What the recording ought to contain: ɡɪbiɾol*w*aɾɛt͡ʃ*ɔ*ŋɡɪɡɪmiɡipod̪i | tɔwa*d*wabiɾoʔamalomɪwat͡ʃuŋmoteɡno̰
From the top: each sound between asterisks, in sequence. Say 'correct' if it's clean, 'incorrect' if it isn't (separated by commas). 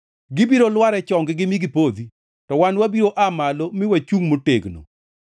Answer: correct, correct, incorrect